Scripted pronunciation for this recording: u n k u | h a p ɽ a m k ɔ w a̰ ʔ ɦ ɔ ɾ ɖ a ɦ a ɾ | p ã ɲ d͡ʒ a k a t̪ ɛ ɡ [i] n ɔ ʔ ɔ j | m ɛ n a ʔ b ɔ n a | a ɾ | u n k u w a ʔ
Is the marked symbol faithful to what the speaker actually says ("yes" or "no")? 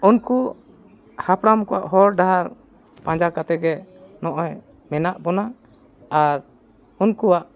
no